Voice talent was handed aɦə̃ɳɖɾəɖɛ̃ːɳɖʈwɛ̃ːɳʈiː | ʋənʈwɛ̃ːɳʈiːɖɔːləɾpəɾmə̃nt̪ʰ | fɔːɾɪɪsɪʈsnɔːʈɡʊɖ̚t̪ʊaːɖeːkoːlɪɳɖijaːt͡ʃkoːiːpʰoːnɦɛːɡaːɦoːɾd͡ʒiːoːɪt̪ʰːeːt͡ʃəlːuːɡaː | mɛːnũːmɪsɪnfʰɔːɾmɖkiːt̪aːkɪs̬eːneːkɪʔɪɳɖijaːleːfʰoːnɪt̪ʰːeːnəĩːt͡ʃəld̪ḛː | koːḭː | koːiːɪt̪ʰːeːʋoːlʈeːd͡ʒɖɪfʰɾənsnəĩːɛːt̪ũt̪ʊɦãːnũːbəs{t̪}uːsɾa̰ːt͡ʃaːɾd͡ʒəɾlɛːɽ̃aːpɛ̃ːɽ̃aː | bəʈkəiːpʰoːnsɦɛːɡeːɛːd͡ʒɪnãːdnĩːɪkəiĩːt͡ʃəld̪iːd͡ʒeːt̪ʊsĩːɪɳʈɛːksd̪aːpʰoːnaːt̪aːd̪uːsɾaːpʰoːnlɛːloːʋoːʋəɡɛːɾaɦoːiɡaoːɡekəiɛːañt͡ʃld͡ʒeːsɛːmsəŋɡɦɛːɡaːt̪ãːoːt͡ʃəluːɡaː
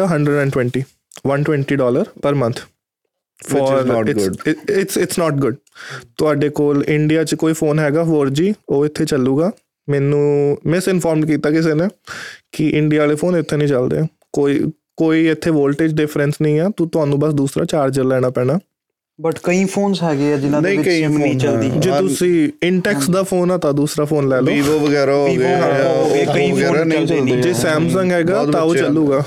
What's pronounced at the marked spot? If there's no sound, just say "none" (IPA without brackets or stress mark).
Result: d̪